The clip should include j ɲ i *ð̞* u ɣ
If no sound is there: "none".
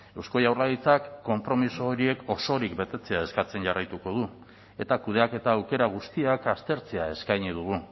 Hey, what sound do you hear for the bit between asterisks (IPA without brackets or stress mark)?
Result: ð̞